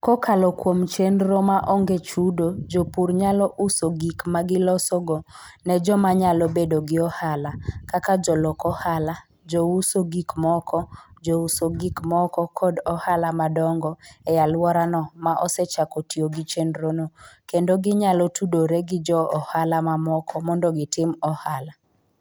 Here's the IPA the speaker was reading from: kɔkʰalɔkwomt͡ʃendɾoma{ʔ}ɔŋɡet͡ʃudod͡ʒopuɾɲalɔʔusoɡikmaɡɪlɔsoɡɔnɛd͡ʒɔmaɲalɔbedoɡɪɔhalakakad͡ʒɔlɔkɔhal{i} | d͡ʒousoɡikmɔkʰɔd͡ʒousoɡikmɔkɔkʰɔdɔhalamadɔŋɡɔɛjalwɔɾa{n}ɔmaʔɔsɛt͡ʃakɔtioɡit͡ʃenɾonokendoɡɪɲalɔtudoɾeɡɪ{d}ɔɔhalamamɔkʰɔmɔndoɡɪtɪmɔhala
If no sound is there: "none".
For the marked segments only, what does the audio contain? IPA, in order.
ʔ, a, n, d͡ʒ

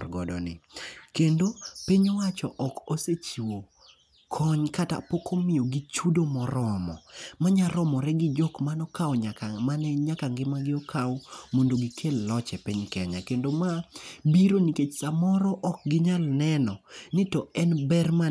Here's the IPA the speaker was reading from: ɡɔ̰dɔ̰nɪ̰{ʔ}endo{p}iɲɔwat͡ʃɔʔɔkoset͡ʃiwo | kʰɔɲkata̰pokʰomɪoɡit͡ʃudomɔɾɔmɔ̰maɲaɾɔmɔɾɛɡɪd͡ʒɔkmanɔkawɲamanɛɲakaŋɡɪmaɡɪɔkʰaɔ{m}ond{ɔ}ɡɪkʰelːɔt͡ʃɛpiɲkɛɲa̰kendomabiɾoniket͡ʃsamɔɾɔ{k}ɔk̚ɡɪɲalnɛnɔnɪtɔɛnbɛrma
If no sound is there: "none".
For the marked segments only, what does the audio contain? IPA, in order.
k, p, m, o, ʔ

